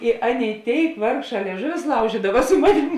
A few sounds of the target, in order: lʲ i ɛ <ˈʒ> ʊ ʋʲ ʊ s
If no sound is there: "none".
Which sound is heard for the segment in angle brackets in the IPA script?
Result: ʒ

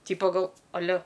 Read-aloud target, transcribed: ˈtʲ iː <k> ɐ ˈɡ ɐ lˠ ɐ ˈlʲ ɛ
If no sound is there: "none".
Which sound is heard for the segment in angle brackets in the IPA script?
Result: p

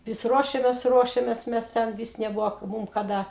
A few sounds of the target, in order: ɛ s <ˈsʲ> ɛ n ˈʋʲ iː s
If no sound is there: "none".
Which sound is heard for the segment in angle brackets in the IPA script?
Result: tʲ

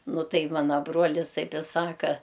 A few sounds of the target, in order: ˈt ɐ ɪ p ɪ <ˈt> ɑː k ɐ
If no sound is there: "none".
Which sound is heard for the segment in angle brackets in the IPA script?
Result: s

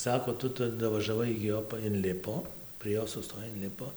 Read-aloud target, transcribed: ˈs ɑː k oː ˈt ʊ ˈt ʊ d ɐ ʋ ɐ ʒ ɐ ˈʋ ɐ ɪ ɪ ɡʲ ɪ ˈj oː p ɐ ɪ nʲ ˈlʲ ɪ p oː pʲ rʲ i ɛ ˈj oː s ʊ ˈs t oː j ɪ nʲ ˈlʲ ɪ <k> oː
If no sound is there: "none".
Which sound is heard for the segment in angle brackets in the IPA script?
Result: p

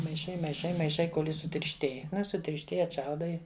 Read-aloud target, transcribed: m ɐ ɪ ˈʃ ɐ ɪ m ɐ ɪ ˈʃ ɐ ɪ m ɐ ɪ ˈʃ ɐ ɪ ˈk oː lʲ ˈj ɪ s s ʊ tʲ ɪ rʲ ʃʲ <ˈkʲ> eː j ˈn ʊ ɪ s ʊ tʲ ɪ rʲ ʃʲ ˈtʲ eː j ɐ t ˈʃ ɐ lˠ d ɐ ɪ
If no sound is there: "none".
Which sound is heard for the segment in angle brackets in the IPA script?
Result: tʲ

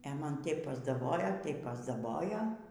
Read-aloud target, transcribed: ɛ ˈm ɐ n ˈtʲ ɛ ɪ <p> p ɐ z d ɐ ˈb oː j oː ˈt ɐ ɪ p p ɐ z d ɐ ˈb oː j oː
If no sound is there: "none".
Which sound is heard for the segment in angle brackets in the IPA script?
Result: p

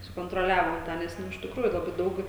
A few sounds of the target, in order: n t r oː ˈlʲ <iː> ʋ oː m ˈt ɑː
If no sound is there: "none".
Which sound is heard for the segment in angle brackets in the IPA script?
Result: æː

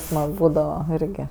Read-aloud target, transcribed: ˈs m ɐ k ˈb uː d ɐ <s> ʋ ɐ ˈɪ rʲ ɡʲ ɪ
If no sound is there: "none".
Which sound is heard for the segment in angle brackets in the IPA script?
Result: none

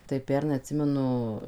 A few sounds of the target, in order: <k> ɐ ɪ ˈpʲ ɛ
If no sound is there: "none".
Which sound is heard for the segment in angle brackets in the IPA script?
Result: t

